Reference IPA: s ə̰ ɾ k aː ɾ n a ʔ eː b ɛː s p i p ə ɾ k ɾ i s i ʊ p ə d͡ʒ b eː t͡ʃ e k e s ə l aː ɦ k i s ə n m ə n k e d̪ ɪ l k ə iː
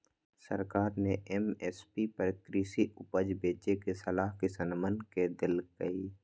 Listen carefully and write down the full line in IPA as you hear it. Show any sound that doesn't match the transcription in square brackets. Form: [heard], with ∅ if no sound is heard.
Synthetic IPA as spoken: s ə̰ ɾ k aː ɾ n [e] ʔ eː [m] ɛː s p i p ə ɾ k ɾ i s i ʊ p ə d͡ʒ b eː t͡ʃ e k e s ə l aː ɦ k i s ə n m ə n k e d̪ ɪ l k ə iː